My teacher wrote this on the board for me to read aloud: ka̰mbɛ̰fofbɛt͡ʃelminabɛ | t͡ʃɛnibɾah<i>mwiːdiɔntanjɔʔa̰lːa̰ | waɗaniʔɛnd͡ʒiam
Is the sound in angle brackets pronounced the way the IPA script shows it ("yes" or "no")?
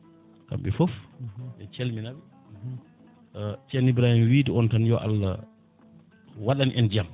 yes